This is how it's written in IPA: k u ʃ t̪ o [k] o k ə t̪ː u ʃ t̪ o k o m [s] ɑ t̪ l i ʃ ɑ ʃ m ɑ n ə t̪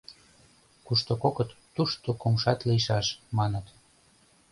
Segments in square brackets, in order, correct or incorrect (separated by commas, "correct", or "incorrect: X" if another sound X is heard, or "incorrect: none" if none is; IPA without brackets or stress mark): correct, incorrect: ʃ